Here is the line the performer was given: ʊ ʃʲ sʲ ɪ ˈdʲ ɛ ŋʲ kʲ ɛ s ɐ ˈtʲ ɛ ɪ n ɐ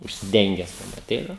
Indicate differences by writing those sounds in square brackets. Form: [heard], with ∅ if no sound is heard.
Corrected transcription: ʊ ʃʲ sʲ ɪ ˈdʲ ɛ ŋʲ [ɡʲ] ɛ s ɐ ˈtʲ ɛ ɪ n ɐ